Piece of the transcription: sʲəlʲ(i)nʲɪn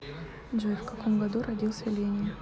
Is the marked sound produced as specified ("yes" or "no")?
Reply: no